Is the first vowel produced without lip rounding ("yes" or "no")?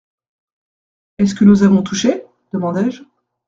yes